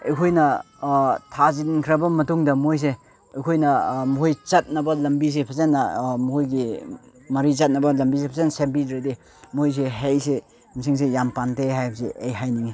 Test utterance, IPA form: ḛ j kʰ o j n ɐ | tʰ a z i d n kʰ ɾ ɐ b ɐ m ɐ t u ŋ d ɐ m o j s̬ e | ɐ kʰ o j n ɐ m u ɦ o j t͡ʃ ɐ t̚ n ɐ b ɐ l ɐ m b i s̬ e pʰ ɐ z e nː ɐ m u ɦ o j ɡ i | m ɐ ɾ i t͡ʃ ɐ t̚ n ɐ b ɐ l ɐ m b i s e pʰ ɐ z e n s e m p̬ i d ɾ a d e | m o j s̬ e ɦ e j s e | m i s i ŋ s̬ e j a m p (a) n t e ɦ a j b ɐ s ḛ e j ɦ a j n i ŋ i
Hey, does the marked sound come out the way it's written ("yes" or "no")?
yes